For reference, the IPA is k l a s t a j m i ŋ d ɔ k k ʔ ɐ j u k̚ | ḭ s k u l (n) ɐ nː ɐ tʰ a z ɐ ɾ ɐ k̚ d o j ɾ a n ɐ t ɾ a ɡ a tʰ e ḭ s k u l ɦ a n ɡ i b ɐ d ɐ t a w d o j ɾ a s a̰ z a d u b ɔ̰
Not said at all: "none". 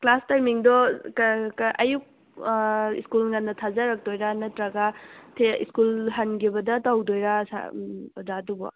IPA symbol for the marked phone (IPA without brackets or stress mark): ŋ